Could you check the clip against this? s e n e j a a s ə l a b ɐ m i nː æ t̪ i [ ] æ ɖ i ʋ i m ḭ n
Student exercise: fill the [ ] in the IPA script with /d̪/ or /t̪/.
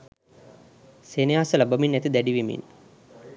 d̪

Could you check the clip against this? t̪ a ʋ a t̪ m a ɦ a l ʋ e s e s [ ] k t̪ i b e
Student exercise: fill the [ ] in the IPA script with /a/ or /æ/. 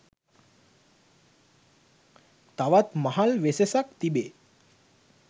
a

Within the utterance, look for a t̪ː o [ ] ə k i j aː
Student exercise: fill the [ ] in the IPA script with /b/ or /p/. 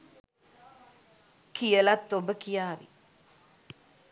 b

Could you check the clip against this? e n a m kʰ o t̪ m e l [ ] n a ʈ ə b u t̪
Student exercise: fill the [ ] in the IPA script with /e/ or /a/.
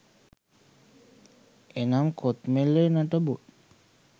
e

